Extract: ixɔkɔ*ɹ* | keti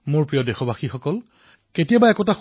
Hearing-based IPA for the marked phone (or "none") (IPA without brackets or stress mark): l